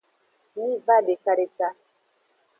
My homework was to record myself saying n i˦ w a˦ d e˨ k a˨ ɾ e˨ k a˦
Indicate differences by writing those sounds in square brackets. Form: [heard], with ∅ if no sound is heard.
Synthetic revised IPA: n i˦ [v] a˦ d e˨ k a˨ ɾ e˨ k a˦